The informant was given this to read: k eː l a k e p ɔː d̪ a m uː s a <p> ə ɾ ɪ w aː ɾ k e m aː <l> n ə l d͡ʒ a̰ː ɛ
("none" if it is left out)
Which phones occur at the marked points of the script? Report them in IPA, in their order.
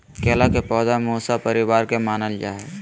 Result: p, none

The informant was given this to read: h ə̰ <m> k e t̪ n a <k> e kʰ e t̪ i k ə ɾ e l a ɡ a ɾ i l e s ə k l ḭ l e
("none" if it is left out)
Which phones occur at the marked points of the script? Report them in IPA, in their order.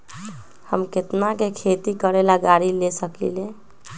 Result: m, k

